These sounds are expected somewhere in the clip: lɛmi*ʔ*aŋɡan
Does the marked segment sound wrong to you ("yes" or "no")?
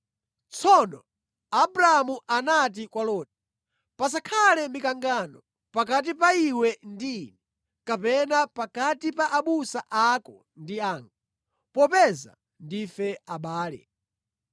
yes